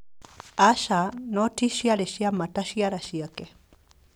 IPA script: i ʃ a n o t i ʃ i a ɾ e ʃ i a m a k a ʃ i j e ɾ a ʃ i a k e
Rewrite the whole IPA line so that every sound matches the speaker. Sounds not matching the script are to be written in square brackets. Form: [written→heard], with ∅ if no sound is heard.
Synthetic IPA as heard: [i→a] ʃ a n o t i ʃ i a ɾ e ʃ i a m a [k→t] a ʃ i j [e→a] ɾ a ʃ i a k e

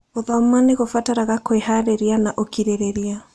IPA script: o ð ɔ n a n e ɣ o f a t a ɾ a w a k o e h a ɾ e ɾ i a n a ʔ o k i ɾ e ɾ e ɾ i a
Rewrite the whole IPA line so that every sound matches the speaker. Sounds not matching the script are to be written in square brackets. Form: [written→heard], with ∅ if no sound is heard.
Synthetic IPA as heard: o ð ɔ [n→m] a n e ɣ o f a t a ɾ a [w→ɣ] a k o e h a ɾ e ɾ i a n a ʔ o k i ɾ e ɾ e ɾ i a

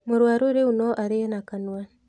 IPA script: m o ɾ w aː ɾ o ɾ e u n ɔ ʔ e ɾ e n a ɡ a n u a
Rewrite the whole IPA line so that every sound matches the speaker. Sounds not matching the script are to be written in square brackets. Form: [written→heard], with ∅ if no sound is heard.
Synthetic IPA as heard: m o ɾ w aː ɾ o ɾ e u n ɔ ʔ [e→a] ɾ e n a [ɡ→k] a n [u→w] a

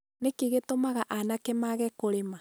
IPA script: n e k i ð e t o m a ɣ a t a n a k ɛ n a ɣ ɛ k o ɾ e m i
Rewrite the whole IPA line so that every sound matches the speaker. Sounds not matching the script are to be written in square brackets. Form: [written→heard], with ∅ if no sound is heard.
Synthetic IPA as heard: n e k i [ð→ɣ] e t o m a ɣ a [t→ʔ] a n a k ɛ [n→m] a ɣ ɛ k o ɾ e m [i→a]

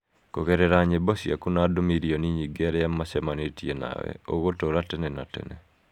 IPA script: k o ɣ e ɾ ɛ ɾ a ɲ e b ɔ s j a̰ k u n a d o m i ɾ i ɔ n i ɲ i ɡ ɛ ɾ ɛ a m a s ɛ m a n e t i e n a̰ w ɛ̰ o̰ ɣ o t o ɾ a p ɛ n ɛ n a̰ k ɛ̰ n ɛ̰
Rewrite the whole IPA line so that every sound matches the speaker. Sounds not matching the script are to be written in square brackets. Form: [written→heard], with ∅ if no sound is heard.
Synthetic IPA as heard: k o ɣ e ɾ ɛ ɾ a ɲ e b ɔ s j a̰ k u n a d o m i ɾ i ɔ n i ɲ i ɡ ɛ ɾ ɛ a m a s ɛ m a n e t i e n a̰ w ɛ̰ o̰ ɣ o t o ɾ a [p→t] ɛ n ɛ n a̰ [k→t] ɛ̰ n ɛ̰

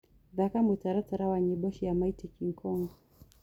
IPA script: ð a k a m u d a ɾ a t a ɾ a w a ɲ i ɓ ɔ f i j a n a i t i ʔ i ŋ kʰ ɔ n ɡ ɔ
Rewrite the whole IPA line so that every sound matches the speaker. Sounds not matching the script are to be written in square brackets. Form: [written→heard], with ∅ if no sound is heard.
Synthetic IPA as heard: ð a k a m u [d→t] a ɾ a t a ɾ a w a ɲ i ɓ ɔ [f→ʃ] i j a [n→m] a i t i [ʔ→k] i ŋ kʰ ɔ [n→ŋ] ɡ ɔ

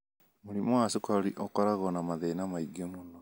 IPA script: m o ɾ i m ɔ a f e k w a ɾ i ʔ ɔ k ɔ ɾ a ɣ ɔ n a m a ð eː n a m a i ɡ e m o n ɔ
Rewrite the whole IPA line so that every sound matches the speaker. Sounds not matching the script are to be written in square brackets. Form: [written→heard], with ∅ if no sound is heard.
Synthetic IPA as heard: m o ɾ i m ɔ a [f→s] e k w a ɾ i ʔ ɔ k ɔ ɾ a ɣ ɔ n a m a ð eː n a m a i ɡ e m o n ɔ

